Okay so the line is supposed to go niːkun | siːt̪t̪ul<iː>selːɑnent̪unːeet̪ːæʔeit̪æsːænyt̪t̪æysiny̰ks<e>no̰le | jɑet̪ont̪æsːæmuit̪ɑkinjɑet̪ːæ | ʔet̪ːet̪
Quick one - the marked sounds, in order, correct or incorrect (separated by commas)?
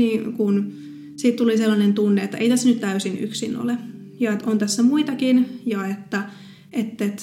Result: incorrect, incorrect